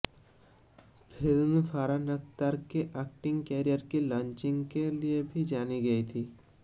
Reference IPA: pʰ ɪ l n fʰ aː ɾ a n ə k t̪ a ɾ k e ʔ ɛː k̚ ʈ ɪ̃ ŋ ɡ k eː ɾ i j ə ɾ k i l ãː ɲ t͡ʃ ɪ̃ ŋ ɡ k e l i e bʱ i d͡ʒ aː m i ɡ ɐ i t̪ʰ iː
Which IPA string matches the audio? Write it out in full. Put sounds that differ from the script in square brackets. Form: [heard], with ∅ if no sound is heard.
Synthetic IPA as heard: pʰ ɪ l [m] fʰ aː ɾ a n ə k t̪ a ɾ k e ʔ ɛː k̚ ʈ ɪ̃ ŋ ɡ k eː ɾ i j ə ɾ k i l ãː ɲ t͡ʃ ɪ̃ ŋ ɡ k e l i e bʱ i d͡ʒ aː [n] i ɡ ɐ i t̪ʰ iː

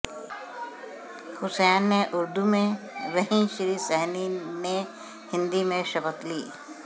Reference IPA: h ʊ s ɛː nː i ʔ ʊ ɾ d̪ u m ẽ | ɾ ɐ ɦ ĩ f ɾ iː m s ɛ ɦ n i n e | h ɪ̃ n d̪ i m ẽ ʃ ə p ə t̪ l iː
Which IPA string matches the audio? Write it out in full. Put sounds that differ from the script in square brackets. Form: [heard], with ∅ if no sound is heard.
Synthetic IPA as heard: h ʊ s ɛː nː [e] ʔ ʊ ɾ d̪ u m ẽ | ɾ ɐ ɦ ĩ [ʃ] ɾ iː [∅] s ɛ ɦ n i n e | h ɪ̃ n d̪ i m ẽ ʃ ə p ə t̪ l iː

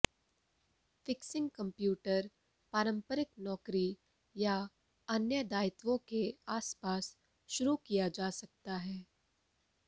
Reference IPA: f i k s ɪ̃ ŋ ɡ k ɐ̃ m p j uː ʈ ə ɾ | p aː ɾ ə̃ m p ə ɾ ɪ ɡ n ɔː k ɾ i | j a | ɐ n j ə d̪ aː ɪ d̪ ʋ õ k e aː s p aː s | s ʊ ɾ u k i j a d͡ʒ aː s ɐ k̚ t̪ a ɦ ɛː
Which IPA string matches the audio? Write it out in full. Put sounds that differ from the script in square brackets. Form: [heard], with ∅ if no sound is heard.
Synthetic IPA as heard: f [ɪ] k s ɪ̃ ŋ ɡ k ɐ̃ m p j uː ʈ ə ɾ | p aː ɾ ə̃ m p ə ɾ ɪ [k] n ɔː k ɾ i | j a | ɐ n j ə d̪ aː ɪ [t̪] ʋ õ k e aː s p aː s | [ʃ] ʊ ɾ u k i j a d͡ʒ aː s ɐ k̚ t̪ a ɦ ɛː

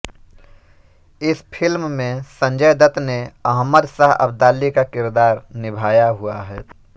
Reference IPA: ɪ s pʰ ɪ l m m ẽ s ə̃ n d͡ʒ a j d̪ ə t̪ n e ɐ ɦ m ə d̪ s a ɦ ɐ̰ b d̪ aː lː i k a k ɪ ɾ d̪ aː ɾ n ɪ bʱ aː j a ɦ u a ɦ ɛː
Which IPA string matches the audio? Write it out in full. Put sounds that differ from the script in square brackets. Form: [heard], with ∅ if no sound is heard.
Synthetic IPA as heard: ɪ s pʰ ɪ l m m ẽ s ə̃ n d͡ʒ [ə] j d̪ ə t̪ n e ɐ ɦ m ə d̪ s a ɦ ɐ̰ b d̪ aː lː i k a k ɪ ɾ d̪ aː ɾ n ɪ bʱ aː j a ɦ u a ɦ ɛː

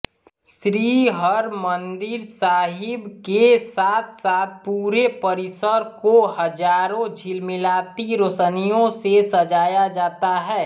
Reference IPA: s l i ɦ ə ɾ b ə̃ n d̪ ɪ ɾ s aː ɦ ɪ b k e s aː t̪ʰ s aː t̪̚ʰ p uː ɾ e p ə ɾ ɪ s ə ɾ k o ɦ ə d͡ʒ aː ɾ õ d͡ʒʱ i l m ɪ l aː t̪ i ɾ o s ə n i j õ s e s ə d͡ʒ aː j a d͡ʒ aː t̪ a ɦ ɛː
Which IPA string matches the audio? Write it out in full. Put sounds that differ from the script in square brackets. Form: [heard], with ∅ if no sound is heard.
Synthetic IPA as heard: s [ɾ] i ɦ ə ɾ [m] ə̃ n d̪ ɪ ɾ s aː ɦ ɪ b k e s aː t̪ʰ s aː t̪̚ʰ p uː ɾ e p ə ɾ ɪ s ə ɾ k o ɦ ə d͡ʒ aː ɾ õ d͡ʒʱ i l m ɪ l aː t̪ i ɾ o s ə n i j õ s e s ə d͡ʒ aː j a d͡ʒ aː t̪ a ɦ ɛː

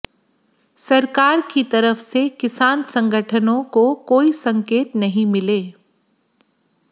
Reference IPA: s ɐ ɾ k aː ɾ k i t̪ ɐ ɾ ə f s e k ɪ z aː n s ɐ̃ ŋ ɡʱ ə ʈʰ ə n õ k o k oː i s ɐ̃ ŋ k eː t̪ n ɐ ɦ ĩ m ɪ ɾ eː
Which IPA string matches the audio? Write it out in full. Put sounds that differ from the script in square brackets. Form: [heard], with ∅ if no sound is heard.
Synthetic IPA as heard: s ɐ ɾ k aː ɾ k i t̪ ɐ ɾ ə f s e k ɪ [s] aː n s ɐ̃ ŋ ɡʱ ə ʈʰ ə n õ k o k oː i s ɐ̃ ŋ k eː t̪ n ɐ ɦ ĩ m ɪ [l] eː

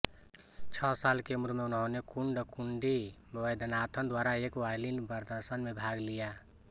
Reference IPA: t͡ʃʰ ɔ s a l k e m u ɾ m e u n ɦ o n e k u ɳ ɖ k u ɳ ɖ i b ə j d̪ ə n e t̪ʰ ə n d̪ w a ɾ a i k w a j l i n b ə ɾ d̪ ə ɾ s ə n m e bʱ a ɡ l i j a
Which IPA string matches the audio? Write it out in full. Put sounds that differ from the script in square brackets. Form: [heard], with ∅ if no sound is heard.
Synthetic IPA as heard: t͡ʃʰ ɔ s a l k e m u ɾ m e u n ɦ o n e k u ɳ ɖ k u ɳ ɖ i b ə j d̪ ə n [a] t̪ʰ ə n d̪ w a ɾ a [e] k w a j l i n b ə ɾ d̪ ə ɾ s ə n m e bʱ a ɡ l i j a

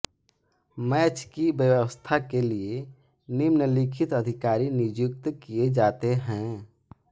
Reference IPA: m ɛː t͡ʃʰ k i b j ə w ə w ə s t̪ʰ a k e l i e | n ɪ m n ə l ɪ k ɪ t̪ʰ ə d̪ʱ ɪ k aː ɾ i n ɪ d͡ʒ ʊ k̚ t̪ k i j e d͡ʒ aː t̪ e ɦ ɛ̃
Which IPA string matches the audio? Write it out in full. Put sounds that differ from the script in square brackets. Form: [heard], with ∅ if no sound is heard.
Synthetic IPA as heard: m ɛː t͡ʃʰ k i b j ə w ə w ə s t̪ʰ a k e l i e | n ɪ m n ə l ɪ [kʰ] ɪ [t̪] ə d̪ʱ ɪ k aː ɾ i n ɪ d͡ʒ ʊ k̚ t̪ k i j e d͡ʒ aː t̪ e ɦ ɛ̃

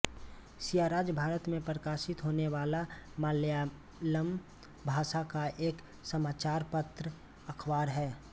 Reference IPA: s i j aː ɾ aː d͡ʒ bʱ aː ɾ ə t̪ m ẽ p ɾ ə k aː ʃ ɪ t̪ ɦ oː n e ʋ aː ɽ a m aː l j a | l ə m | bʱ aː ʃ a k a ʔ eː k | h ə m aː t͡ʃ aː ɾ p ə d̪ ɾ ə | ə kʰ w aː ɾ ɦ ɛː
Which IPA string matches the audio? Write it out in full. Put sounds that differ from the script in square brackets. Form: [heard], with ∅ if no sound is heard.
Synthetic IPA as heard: s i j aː ɾ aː d͡ʒ bʱ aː ɾ ə t̪ m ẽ p ɾ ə k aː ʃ ɪ t̪ ɦ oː n e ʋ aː [l] a m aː l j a | l ə m | bʱ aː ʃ a k a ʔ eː k | [s] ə m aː t͡ʃ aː ɾ p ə [t̪] ɾ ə | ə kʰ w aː ɾ ɦ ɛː

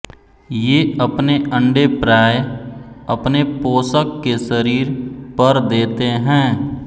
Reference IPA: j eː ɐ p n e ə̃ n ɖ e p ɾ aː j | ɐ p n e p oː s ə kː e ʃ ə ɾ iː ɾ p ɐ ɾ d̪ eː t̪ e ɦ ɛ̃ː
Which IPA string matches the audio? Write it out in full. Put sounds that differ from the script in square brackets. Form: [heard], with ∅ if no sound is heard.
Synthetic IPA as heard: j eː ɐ p n e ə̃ [ɳ] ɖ e p ɾ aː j | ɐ p n e p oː s ə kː e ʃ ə ɾ iː ɾ p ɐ ɾ d̪ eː t̪ e ɦ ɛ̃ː

